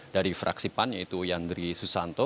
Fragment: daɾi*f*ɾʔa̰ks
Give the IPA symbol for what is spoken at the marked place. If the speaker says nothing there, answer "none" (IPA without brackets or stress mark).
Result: f